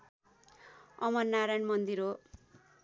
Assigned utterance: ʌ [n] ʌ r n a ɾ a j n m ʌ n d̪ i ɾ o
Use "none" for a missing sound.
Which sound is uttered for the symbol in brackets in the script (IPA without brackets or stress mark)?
m